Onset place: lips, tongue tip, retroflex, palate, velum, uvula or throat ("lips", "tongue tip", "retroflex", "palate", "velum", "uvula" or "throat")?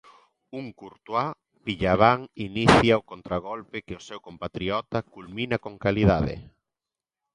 velum